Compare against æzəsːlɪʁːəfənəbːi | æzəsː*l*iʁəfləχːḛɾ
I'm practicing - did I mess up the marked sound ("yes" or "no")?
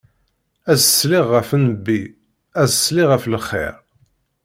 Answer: no